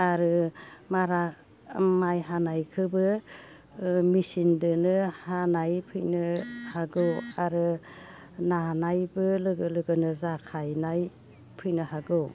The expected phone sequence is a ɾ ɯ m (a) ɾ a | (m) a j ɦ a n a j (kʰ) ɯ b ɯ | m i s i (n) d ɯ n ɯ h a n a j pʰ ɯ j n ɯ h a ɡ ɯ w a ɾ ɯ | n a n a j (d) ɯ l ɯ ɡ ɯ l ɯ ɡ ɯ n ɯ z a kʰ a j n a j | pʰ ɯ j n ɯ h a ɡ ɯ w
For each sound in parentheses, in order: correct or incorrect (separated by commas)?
correct, correct, correct, correct, incorrect